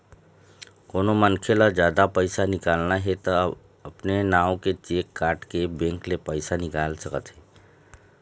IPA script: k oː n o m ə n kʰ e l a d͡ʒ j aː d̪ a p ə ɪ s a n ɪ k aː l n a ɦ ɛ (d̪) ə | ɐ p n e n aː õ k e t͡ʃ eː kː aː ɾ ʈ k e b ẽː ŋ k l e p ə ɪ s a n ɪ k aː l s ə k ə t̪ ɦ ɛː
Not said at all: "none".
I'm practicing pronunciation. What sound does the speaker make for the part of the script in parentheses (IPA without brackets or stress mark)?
t̪